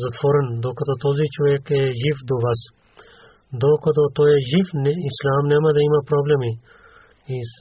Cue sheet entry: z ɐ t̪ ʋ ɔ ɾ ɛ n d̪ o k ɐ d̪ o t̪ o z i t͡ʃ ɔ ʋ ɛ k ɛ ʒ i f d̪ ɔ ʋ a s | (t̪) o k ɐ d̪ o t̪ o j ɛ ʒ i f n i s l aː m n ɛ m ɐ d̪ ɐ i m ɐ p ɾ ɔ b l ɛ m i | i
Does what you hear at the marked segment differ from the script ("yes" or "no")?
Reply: yes